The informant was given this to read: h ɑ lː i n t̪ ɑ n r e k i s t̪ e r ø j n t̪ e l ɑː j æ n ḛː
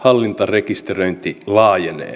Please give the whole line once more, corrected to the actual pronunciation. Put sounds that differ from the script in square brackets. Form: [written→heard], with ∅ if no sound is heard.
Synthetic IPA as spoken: h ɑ lː i n t̪ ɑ [n→∅] r e k i s t̪ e r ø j n t̪ [e→i] l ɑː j [æ→e] n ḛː